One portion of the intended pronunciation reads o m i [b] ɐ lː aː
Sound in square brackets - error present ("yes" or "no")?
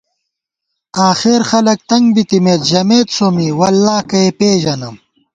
yes